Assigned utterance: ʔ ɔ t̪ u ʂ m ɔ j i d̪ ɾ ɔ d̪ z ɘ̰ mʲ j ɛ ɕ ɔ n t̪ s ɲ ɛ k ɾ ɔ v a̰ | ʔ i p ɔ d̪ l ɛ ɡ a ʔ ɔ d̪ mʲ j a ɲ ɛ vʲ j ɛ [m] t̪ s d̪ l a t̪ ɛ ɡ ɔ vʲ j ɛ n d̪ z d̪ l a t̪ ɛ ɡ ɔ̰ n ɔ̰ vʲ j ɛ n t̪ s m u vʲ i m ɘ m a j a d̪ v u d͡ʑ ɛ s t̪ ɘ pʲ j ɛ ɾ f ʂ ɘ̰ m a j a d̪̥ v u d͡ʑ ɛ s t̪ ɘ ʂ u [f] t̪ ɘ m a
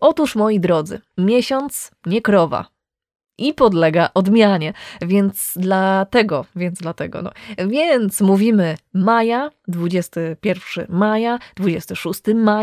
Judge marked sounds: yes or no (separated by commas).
no, no